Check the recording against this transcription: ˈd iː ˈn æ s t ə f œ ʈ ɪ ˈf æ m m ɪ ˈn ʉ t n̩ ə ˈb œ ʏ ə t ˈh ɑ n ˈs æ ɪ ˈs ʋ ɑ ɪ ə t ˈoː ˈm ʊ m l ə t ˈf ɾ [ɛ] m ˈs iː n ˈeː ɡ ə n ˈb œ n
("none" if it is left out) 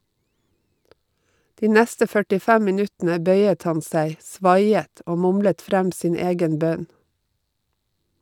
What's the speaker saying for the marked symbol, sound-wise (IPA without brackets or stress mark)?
æ